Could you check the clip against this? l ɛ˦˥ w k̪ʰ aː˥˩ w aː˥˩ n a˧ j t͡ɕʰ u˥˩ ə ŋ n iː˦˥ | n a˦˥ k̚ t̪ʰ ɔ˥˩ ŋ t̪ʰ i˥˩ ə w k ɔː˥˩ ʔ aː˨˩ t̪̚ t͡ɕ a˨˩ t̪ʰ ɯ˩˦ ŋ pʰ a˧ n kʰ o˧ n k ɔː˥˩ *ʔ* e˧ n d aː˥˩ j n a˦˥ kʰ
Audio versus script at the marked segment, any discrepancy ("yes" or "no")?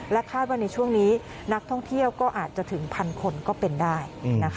yes